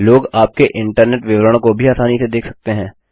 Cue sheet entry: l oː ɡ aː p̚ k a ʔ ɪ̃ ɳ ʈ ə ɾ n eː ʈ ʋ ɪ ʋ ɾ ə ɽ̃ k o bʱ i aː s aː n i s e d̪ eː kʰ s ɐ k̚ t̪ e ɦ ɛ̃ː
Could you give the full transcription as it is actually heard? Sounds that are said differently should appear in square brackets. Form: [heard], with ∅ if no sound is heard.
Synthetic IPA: l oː ɡ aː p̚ k [e] ʔ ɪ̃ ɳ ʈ ə ɾ n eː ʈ ʋ ɪ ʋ ɾ ə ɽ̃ k o bʱ i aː s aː n i s e d̪ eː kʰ s ɐ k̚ t̪ e ɦ ɛ̃ː

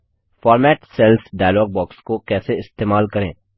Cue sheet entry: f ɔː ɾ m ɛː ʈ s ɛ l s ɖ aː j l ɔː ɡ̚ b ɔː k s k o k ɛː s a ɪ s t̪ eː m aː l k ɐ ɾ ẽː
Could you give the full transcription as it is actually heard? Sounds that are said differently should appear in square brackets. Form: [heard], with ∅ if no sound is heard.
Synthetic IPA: f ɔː ɾ m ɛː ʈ s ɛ l s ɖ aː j l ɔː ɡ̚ b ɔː k s k o k ɛː s [e] ɪ s t̪ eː m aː l k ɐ ɾ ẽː

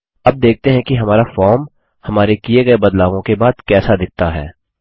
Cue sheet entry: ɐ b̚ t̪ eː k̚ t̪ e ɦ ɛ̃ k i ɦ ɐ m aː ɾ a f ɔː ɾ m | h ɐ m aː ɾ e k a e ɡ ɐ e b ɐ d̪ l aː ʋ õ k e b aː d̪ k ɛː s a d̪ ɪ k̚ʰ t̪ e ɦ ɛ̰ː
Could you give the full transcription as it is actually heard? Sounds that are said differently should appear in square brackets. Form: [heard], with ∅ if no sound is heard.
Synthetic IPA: ɐ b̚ [d̪] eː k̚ t̪ e ɦ ɛ̃ k i ɦ ɐ m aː ɾ a f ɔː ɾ m | h ɐ m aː ɾ e k [i] e ɡ ɐ e b ɐ d̪ l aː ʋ õ k e b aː d̪ k ɛː s a d̪ ɪ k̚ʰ t̪ [a] ɦ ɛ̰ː

